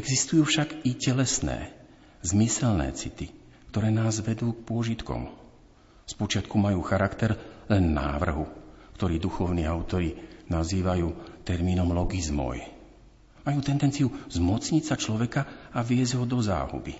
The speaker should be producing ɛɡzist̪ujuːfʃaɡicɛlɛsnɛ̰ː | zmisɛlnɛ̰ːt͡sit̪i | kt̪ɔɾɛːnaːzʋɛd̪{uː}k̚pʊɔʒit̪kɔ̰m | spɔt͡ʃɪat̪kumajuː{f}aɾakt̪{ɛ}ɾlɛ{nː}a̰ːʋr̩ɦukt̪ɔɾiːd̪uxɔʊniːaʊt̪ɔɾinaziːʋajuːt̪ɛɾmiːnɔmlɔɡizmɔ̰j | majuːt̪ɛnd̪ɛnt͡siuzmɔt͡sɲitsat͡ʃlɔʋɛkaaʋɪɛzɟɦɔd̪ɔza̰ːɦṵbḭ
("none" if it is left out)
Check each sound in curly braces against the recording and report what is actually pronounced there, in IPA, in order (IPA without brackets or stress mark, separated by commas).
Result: uː, x, ɛ, nː